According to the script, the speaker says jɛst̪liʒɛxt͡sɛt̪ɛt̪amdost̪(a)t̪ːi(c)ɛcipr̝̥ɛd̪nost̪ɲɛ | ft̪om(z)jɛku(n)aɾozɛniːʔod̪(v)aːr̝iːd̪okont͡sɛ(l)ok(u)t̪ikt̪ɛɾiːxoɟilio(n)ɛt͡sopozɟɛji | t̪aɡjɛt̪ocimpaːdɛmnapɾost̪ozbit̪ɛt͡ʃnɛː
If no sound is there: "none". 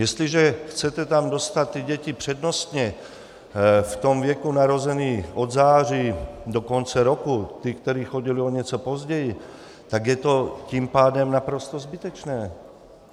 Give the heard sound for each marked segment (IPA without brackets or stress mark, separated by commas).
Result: a, ɟ, v, n, z, ɾ, u, ɲ